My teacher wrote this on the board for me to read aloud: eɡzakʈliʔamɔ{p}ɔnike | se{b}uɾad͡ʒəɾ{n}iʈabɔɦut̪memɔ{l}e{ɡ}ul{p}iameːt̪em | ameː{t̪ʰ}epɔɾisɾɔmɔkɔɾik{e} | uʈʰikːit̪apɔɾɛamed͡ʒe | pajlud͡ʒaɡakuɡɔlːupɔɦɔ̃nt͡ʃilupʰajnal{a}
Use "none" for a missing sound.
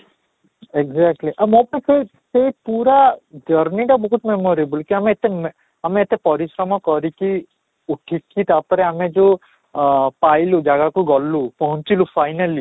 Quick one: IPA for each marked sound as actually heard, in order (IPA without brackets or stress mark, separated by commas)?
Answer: p, p, n, ɾ, b, k, t̪, i, i